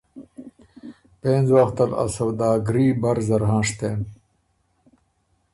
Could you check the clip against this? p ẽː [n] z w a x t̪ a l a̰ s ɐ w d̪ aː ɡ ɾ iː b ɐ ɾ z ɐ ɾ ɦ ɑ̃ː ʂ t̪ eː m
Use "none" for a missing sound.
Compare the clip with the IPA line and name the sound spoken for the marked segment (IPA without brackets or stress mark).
n